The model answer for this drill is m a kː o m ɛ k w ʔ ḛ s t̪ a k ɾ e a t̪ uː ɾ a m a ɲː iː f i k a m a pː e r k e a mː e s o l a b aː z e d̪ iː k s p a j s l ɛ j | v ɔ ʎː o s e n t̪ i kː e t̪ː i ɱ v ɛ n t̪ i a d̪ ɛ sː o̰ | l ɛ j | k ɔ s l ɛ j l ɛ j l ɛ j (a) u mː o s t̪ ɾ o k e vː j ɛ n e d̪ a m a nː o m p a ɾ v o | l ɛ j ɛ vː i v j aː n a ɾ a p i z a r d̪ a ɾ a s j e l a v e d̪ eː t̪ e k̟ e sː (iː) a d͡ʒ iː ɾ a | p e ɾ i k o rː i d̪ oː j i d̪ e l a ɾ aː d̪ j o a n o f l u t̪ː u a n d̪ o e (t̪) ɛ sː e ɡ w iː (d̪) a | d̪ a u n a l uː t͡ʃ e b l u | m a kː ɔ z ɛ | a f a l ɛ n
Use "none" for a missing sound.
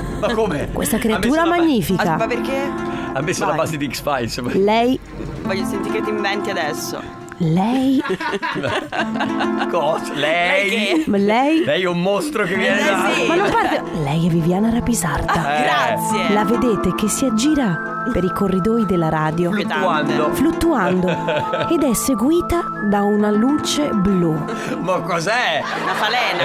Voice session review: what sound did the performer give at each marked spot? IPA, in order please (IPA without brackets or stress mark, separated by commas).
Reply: ɛ, i, d̪, t̪